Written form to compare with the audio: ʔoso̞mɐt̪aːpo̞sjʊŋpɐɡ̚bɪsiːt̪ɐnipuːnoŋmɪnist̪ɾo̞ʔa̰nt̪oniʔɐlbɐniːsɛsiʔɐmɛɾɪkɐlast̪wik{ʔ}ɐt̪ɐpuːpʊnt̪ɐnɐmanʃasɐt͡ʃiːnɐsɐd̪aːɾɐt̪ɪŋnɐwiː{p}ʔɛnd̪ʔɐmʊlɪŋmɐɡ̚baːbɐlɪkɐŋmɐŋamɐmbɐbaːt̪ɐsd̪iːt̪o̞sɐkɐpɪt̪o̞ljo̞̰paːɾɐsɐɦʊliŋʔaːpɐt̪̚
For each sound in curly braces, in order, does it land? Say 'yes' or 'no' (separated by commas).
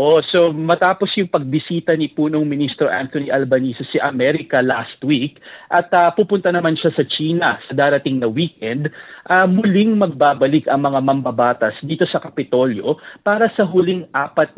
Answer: yes, no